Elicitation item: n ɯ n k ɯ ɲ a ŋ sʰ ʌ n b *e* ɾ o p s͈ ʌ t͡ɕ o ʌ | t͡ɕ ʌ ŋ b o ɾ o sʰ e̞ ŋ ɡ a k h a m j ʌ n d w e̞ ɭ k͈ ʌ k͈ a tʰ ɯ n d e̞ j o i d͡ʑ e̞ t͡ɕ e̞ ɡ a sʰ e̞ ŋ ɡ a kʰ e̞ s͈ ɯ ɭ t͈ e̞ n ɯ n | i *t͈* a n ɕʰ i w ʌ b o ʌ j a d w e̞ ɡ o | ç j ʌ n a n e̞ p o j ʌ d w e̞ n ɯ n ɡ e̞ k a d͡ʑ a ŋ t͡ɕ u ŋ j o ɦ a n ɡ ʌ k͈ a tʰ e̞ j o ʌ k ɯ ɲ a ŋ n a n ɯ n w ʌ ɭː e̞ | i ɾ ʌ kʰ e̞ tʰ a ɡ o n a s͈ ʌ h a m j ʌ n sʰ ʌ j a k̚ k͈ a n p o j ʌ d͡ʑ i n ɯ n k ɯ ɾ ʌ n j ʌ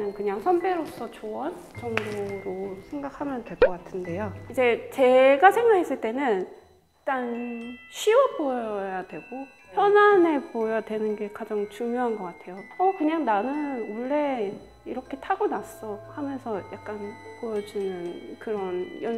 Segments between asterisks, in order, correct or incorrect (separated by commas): correct, correct